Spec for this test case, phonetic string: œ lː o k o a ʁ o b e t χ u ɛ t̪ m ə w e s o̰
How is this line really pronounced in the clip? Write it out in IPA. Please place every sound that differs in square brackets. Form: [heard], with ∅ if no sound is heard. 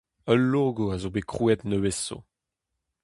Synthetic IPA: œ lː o [ɡ] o a [z] o b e [k] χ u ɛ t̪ [n] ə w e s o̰